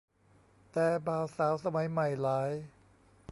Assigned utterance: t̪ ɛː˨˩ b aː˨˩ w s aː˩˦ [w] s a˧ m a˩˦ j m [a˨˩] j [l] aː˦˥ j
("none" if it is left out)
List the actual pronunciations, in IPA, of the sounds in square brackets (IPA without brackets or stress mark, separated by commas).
w, a˨˩, l